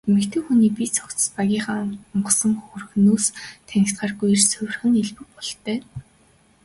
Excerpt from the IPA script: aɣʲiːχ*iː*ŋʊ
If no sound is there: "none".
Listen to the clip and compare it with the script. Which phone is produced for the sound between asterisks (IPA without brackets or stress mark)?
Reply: aː